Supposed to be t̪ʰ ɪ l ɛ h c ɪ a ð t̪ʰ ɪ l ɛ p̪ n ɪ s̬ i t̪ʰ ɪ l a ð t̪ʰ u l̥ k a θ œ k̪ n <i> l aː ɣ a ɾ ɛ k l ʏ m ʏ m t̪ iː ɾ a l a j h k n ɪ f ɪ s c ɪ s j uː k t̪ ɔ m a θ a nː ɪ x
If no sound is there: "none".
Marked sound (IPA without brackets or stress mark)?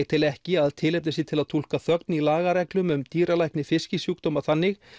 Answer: i